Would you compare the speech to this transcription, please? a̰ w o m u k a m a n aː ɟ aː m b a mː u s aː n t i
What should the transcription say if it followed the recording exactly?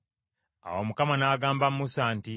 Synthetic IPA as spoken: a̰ w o m u k a m a n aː ɡ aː m b a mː u s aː n t i